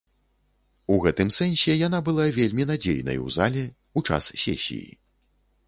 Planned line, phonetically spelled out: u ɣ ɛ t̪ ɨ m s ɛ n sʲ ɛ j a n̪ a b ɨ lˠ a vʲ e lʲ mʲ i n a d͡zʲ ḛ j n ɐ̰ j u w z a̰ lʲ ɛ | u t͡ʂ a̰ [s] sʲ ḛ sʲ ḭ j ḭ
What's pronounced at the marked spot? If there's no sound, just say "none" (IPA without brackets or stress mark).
s